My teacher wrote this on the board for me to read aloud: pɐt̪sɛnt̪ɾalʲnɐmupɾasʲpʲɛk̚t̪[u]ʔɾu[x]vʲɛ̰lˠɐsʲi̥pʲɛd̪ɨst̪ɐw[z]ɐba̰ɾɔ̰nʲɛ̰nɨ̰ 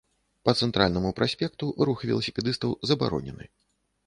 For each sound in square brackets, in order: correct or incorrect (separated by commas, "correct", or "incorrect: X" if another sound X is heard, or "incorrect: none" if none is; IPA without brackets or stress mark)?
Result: correct, correct, correct